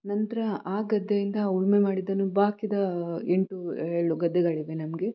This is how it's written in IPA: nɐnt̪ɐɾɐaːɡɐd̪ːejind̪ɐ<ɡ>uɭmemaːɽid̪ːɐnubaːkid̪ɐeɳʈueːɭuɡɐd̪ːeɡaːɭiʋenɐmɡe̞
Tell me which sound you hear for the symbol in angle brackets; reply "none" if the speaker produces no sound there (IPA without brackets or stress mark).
none